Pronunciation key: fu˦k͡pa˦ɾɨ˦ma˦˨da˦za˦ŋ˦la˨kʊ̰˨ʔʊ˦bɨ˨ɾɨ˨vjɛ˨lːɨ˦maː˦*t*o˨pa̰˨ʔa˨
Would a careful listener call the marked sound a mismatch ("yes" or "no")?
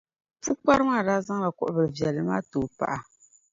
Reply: no